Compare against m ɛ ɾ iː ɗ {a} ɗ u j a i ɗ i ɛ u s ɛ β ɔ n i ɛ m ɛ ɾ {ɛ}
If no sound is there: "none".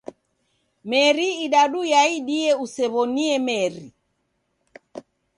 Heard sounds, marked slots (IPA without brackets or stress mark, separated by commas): a, i